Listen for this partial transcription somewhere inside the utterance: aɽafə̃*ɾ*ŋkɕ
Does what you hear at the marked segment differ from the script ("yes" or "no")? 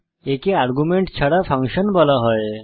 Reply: yes